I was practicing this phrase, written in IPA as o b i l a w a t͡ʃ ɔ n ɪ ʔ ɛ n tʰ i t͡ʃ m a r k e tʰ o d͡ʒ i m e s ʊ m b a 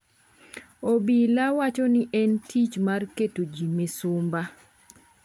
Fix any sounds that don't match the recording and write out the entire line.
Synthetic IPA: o b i l a w a t͡ʃ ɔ n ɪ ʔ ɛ n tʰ i t͡ʃ m a r k e t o d͡ʒ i m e s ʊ m b a